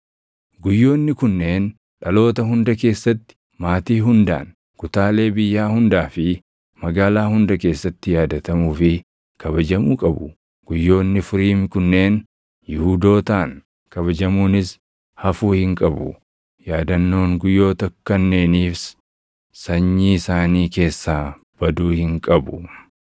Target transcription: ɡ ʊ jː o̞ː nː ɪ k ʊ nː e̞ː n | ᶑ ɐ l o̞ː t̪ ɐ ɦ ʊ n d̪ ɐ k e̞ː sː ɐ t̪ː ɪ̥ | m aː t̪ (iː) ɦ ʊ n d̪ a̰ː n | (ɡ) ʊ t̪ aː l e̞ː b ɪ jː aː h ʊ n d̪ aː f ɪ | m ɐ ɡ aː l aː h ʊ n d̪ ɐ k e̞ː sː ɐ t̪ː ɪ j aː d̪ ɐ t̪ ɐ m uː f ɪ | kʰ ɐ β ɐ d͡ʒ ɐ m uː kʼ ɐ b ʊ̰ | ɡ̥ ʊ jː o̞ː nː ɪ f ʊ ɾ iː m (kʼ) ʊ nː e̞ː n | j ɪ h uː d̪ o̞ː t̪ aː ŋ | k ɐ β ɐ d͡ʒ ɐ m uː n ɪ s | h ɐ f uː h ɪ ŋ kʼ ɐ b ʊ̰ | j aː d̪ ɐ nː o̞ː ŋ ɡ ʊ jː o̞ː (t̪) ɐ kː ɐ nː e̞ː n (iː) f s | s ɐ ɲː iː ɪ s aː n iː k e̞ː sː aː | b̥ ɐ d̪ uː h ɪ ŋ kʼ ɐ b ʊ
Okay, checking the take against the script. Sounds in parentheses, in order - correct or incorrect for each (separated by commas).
correct, incorrect, incorrect, correct, correct